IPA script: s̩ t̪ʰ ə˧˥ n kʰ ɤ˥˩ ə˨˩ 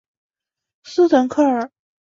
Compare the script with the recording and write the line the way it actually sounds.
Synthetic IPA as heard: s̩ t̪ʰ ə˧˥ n kʰ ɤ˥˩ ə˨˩

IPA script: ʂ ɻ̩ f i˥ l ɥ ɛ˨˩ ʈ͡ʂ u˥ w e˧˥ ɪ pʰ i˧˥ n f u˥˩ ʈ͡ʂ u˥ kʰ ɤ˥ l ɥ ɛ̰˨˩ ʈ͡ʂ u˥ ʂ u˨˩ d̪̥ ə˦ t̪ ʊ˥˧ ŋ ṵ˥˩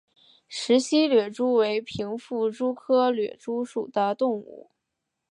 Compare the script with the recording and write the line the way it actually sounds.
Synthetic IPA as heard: ʂ ɻ̩ ɕ i˥ l ɥ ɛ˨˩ ʈ͡ʂ u˥ w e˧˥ ɪ pʰ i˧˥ ŋ f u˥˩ ʈ͡ʂ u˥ kʰ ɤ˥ l ɥ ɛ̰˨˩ ʈ͡ʂ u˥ ʂ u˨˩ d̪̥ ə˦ t̪ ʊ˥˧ ŋ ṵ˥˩

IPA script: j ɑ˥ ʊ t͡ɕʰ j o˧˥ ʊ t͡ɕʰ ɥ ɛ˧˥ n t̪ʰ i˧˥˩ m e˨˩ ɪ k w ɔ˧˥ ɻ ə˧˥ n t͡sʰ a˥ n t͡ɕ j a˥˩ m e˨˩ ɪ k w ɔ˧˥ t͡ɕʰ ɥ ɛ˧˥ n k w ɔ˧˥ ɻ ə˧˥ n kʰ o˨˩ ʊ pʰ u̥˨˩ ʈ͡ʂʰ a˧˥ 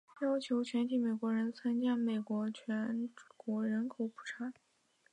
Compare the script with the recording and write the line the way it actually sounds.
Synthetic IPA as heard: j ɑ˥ ʊ t͡ɕʰ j o˧˥ ʊ t͡ɕʰ ɥ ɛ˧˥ n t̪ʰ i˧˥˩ m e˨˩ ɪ k w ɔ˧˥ ɻ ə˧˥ n t͡sʰ a˥ n t͡ɕ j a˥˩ m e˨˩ ɪ k w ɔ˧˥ t͡ɕʰ ɥ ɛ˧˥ n k w ɔ˧˥ ɻ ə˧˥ n kʰ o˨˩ ʊ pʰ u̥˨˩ ʈ͡ʂʰ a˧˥

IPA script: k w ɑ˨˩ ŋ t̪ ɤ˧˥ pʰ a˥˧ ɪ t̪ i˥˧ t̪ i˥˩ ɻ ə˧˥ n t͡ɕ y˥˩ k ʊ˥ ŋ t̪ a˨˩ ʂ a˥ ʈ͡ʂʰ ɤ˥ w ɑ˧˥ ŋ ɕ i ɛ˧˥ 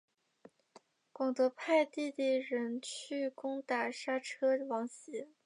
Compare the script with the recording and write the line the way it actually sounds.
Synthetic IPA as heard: k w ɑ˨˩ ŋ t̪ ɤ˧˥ pʰ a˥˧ ɪ t̪ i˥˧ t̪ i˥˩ ɻ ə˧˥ n t͡ɕʰ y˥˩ k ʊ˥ ŋ t̪ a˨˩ ʂ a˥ ʈ͡ʂʰ ɤ˥ w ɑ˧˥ ŋ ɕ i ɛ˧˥

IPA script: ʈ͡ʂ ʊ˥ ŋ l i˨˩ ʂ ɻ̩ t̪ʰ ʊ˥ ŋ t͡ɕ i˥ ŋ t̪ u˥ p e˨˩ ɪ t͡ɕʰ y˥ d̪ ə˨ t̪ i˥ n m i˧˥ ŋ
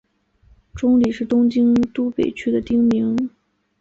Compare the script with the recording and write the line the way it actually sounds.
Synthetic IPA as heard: ʈ͡ʂ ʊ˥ ŋ l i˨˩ ʂ ɻ̩ t̪ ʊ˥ ŋ t͡ɕ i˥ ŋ t̪ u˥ p e˨˩ ɪ t͡ɕʰ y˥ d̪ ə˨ t̪ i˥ ŋ m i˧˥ ŋ

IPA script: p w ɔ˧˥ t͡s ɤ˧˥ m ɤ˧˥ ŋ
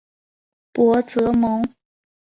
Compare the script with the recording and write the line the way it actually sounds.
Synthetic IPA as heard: p w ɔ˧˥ t͡s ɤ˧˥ m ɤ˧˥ ŋ

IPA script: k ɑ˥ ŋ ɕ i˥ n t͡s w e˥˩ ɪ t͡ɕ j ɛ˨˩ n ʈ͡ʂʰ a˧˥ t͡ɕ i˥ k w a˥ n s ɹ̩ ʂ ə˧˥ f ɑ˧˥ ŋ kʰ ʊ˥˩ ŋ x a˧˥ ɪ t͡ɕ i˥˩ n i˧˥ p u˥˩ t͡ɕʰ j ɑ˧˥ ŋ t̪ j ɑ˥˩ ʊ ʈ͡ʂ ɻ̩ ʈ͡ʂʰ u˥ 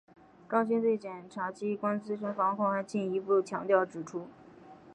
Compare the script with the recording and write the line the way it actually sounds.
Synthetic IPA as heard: k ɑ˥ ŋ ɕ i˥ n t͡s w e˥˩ ɪ t͡ɕ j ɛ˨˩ n ʈ͡ʂʰ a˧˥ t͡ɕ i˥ k w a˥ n t͡s ɹ̩ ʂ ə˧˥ f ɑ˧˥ ŋ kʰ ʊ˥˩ ŋ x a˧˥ ɪ t͡ɕ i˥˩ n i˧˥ p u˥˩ t͡ɕʰ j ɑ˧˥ ŋ t̪ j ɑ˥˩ ʊ ʈ͡ʂ ɻ̩ ʈ͡ʂʰ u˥

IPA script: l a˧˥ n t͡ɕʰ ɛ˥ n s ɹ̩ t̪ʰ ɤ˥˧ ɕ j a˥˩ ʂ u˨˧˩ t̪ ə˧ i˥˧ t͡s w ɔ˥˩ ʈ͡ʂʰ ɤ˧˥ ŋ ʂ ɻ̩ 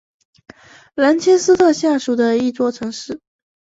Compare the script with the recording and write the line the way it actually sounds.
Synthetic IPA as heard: l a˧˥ n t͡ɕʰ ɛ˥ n s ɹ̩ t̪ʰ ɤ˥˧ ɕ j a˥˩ ʂ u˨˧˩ d̪ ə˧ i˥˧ t͡s w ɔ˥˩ ʈ͡ʂʰ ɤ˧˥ ŋ ʂ ɻ̩

